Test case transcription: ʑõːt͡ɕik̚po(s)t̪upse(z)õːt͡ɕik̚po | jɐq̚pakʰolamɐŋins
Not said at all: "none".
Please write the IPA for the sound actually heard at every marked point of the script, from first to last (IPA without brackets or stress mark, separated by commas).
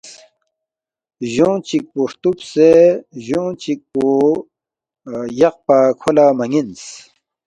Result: ʂ, ʑ